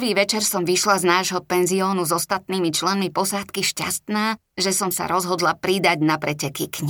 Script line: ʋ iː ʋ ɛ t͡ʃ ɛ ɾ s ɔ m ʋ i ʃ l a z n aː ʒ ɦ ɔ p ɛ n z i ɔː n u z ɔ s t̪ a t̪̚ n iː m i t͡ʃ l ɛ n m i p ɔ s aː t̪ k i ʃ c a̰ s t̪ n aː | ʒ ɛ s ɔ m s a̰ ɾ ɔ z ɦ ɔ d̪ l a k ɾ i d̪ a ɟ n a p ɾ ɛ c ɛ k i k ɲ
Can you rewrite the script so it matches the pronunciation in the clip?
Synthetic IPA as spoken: ʋ iː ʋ ɛ t͡ʃ ɛ ɾ s ɔ m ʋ i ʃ l a z n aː ʒ ɦ ɔ p ɛ n z i ɔː n u z ɔ s t̪ a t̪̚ n iː m i t͡ʃ l ɛ n m i p ɔ s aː t̪ k i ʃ c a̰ s t̪ n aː | ʒ ɛ s ɔ m s a̰ ɾ ɔ z ɦ ɔ d̪ l a p ɾ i d̪ a ɟ n a p ɾ ɛ c ɛ k i k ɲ